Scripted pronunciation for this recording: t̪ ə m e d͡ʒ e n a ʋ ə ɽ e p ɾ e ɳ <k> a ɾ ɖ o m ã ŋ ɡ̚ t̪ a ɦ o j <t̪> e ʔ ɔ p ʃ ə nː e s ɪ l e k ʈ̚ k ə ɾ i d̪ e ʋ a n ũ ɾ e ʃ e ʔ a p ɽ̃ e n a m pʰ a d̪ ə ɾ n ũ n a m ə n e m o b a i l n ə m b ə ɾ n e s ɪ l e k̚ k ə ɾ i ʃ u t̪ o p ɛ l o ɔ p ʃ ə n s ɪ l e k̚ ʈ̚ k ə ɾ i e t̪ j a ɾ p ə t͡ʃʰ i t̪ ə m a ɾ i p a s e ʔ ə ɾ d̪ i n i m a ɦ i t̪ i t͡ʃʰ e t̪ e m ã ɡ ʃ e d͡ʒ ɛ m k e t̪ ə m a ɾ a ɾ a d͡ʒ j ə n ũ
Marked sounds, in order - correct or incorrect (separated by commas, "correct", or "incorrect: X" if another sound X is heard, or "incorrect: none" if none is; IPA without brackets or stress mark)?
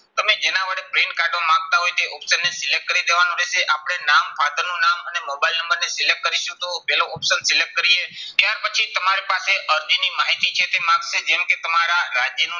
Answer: correct, correct